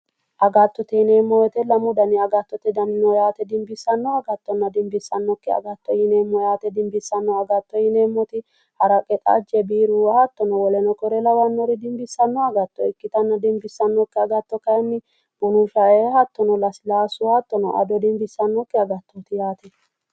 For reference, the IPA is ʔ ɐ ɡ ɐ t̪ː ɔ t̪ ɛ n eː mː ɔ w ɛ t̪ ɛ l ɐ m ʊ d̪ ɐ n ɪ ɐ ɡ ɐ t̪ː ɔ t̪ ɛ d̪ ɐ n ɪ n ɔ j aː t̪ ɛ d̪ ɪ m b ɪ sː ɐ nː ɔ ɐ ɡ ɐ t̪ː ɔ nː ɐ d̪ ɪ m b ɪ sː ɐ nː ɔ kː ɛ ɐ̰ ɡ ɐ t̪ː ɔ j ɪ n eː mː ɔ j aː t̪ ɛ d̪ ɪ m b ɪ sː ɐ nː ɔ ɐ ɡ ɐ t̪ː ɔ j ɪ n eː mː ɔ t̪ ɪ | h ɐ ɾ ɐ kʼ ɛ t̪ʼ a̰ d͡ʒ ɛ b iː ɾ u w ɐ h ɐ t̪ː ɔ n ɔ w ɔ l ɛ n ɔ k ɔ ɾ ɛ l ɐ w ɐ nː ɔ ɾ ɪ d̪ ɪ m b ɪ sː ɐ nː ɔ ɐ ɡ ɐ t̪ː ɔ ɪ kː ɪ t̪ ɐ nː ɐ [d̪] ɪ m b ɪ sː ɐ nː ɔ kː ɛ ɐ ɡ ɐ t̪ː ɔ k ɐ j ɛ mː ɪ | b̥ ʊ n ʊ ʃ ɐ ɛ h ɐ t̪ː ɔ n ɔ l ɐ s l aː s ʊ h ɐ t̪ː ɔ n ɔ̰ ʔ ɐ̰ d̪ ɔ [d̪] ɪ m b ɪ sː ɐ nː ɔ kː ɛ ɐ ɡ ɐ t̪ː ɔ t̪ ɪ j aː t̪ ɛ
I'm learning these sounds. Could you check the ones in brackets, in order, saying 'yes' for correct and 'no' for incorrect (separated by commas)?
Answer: yes, yes